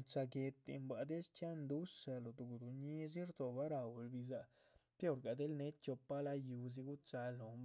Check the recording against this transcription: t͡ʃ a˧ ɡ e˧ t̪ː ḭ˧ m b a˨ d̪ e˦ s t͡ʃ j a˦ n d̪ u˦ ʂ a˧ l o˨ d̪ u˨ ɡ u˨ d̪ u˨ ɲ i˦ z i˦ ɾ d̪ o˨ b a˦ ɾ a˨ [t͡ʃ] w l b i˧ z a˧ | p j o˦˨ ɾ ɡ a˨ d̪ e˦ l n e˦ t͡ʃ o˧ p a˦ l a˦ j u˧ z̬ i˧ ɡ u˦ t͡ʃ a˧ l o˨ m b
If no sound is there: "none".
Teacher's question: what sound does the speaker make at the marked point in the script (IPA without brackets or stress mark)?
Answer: none